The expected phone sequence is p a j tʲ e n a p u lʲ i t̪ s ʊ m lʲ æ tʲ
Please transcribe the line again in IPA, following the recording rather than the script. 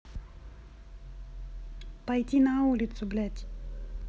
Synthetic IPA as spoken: p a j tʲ i n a u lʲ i t̪ s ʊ b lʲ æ tʲ